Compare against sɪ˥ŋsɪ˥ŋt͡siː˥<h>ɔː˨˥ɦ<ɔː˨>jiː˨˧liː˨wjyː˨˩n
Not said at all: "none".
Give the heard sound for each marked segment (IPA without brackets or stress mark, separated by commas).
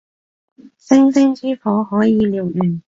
f, ɔː˨˥